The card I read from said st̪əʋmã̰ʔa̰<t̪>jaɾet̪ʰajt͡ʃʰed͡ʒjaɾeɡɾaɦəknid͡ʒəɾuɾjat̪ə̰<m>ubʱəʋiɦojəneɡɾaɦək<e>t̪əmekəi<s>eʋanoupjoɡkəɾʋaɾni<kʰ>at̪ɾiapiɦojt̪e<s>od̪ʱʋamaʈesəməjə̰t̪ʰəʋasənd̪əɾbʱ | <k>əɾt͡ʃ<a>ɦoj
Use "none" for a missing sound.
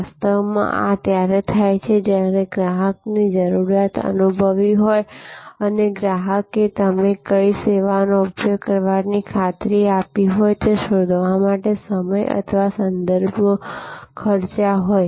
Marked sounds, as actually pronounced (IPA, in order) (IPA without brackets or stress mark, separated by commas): t̪, n, e, s, kʰ, ʃ, kʰ, a